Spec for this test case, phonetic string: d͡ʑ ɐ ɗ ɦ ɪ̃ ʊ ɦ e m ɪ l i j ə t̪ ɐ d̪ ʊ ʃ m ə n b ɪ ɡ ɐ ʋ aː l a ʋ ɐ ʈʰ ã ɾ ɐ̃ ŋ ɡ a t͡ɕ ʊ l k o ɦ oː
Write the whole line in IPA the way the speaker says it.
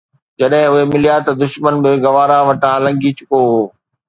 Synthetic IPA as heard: d͡ʑ ɐ ɗ ɦ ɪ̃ ʊ ɦ e m ɪ l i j a t̪ ɐ d̪ ʊ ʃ m ə n b ɪ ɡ ɐ ʋ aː ɾ a ʋ ɐ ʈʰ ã l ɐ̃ ŋ ɡ i t͡ɕ ʊ k o ɦ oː